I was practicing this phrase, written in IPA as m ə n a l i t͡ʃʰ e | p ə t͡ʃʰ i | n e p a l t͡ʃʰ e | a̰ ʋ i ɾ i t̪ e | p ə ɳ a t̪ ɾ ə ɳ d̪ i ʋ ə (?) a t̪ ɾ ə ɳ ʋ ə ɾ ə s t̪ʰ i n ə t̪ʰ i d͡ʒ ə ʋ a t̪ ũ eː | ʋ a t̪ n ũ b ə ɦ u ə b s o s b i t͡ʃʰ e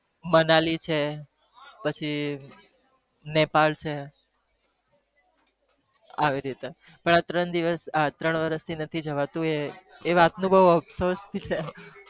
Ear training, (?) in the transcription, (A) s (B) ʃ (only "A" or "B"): A